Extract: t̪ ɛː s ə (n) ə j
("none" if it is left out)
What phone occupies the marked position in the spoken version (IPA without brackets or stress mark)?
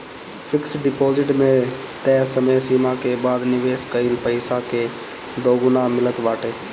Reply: m